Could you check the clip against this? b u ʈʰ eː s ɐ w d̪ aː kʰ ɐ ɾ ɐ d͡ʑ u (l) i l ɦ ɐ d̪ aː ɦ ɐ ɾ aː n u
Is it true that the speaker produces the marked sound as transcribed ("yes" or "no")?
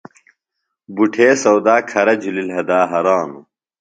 yes